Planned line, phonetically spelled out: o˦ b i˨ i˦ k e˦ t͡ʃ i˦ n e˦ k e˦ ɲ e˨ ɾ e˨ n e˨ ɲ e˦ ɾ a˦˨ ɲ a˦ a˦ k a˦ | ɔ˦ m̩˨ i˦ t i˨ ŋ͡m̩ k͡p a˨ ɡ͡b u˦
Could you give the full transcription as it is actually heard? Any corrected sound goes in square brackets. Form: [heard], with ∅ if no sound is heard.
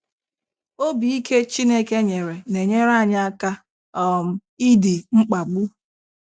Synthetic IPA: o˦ b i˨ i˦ k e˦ t͡ʃ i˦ n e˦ k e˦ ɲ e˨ ɾ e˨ n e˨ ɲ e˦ ɾ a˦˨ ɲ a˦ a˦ k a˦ | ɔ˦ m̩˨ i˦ [d] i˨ ŋ͡m̩ k͡p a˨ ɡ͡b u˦

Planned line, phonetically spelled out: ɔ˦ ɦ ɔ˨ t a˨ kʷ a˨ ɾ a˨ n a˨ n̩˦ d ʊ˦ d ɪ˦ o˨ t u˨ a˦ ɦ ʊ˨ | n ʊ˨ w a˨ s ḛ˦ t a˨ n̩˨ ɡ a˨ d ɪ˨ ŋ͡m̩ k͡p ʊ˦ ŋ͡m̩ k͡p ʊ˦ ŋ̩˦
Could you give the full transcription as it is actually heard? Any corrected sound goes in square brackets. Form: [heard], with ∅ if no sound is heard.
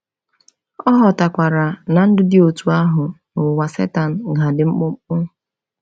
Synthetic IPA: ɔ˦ ɦ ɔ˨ t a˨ kʷ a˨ ɾ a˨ n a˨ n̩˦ d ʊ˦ d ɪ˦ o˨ t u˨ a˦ ɦ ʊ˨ | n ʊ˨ w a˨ s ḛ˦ t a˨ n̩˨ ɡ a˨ d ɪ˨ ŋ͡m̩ k͡p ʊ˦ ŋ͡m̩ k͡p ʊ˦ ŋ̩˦

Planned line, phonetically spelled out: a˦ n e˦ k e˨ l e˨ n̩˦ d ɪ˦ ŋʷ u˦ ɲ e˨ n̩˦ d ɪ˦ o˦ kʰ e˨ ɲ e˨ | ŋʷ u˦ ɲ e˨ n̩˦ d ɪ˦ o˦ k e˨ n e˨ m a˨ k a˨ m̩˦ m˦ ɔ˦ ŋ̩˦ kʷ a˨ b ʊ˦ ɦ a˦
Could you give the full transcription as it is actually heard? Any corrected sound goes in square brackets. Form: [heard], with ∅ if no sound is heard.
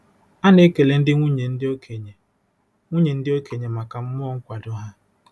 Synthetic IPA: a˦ n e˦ k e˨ l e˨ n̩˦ d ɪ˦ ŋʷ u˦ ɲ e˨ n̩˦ d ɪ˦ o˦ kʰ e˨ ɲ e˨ | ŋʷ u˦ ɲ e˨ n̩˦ d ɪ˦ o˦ k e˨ [ɲ] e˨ m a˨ k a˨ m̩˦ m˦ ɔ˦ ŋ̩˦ kʷ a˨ [d] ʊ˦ ɦ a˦

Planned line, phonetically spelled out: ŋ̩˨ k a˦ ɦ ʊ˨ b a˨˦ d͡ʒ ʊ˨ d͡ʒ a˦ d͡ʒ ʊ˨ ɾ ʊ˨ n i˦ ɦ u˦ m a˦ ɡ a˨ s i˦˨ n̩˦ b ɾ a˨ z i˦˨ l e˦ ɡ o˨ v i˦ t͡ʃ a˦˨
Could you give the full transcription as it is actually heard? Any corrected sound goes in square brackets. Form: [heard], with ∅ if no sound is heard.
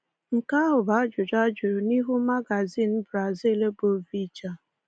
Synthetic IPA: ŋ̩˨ k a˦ ɦ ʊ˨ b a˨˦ d͡ʒ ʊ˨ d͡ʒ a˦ d͡ʒ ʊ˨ ɾ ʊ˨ n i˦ ɦ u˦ m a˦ ɡ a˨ [z] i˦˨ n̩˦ b ɾ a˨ z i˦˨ l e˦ [b] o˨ v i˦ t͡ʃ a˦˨

